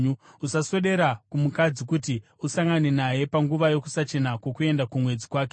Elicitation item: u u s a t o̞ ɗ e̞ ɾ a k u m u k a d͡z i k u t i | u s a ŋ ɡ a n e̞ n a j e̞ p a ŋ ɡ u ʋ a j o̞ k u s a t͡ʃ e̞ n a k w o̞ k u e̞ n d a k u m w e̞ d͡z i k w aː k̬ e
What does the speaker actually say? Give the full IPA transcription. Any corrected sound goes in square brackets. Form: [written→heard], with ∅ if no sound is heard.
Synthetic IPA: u u s a [t→s] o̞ ɗ e̞ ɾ a k u m u k a d͡z i k u t i | u s a ŋ ɡ a n e̞ n a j e̞ p a ŋ ɡ u ʋ a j o̞ k u s a t͡ʃ e̞ n a k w o̞ k u e̞ n d a k u m w e̞ d͡z i k w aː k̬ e

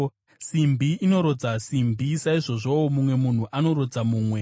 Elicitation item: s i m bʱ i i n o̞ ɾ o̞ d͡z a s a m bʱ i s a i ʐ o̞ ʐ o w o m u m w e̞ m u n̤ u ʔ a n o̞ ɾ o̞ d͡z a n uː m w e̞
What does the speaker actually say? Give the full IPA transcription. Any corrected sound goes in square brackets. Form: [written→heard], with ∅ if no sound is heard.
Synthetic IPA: s i m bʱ i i n o̞ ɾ o̞ d͡z a s [a→i] m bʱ i s a i ʐ o̞ ʐ o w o m u m w e̞ m u n̤ u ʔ a n o̞ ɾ o̞ d͡z a [n→m] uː m w e̞

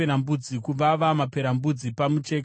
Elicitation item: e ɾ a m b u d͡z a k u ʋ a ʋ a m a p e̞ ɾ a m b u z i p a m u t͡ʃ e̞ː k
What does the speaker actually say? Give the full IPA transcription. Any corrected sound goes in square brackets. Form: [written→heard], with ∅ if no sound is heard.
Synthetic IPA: e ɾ a m b u d͡z [a→i] k u ʋ a ʋ a m a p e̞ ɾ a m b u [z→d͡z] i p a m u t͡ʃ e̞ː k

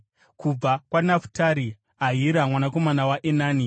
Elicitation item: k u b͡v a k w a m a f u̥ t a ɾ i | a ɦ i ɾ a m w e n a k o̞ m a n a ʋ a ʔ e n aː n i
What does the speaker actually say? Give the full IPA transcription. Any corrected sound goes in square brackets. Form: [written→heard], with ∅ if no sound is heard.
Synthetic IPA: k u b͡v a k w a [m→n] a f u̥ t a ɾ i | a ɦ i ɾ a m w [e→a] n a k o̞ m a n a [ʋ→w] a ʔ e n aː n i

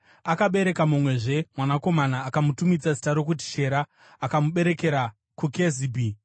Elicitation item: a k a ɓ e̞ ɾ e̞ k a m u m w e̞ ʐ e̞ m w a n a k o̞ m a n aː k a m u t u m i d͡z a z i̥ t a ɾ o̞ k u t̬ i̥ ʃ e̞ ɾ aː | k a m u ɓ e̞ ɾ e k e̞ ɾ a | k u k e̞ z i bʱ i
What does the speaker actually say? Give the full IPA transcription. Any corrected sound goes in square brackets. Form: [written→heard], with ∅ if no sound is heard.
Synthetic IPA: a k a ɓ e̞ ɾ e̞ k a m u m w e̞ ʐ e̞ m w a n a k o̞ m a n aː k a m u t u m i d͡z a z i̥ t a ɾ o̞ k u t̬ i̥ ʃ e̞ ɾ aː | k a m u ɓ e̞ ɾ e k e̞ ɾ a | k u k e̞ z i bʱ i

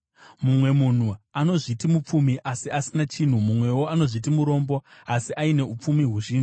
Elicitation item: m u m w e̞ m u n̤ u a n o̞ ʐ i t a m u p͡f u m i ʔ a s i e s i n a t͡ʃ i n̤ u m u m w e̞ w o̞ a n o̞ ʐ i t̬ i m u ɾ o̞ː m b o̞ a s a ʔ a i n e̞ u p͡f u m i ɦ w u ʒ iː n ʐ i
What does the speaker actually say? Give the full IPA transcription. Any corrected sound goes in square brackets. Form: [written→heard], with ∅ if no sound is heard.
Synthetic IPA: m u m w e̞ m u n̤ u a n o̞ ʐ i t [a→i] m u p͡f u m i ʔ a s i [e→a] s i n a t͡ʃ i n̤ u m u m w e̞ w o̞ a n o̞ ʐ i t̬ i m u ɾ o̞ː m b o̞ a s [a→i] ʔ a i n e̞ u p͡f u m i ɦ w u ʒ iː n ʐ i

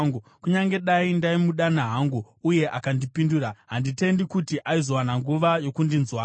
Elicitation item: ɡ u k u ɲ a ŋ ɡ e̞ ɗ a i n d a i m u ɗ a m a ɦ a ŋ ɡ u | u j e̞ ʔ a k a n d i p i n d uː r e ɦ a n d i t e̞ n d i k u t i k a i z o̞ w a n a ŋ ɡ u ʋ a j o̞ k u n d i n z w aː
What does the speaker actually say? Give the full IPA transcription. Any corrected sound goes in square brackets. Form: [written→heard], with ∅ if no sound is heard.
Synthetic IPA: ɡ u k u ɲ a ŋ ɡ e̞ ɗ a i n d a i m u ɗ a [m→n] a ɦ a ŋ ɡ u | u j e̞ ʔ a k a n d i p i n d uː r [e→a] ɦ a n d i t e̞ n d i k u t i [k→ʔ] a i z o̞ w a n a ŋ ɡ u ʋ a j o̞ k u n d i n z w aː

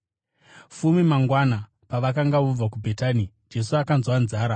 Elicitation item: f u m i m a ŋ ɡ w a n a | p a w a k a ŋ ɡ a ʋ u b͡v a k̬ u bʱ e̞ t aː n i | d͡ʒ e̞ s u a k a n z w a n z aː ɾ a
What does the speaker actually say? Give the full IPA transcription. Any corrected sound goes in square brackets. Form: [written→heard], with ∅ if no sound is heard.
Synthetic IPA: f u m i m a ŋ ɡ w a n a | p a [w→ʋ] a k a ŋ ɡ a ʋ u b͡v a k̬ u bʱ e̞ t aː n i | d͡ʒ e̞ s u a k a n z w a n z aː ɾ a

